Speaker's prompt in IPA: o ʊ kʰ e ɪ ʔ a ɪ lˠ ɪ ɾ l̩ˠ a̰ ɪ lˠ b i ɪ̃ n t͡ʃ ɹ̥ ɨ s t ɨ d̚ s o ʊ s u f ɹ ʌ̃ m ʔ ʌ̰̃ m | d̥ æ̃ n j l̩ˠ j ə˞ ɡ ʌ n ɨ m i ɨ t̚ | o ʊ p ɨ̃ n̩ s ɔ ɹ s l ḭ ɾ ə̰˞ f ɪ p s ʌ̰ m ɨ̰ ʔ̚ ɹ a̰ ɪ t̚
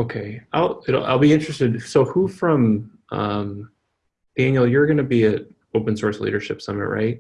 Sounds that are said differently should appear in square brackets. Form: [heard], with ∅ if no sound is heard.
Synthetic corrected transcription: o ʊ kʰ e ɪ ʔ a ɪ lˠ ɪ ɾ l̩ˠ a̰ ɪ lˠ b i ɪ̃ n t͡ʃ ɹ̥ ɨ s t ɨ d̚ s o ʊ [h] u f ɹ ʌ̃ m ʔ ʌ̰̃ m | d̥ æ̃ n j l̩ˠ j ə˞ ɡ ʌ n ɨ [b] i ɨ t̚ | o ʊ p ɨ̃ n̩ s ɔ ɹ s l ḭ ɾ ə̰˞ [ʃ] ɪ p s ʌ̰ m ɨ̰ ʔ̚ ɹ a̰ ɪ t̚